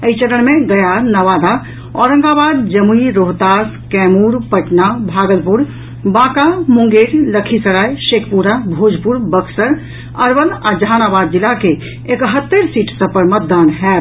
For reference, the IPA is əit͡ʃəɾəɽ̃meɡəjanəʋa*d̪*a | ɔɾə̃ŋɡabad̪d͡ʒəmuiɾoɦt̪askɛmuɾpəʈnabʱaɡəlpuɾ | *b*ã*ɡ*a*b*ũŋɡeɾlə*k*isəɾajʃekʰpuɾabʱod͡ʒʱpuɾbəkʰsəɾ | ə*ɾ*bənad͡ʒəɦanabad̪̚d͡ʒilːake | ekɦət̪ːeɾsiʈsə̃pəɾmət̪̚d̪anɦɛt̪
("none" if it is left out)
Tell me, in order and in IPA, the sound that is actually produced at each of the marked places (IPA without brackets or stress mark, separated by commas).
d̪, b, k, m, kʰ, ɾ